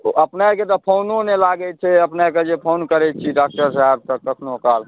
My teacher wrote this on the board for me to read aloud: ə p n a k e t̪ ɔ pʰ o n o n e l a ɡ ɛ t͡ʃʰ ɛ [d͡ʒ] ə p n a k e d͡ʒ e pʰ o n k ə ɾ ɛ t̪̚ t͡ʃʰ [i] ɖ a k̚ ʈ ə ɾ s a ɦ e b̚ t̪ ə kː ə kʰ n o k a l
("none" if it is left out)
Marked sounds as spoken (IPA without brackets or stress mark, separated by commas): none, i